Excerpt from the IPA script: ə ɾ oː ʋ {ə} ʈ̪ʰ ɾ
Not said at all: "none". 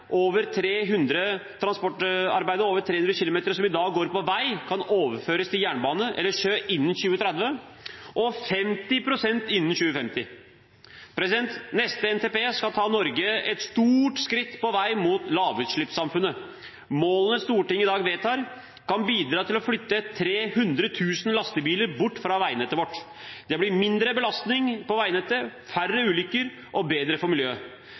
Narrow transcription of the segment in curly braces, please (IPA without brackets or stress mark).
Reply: ə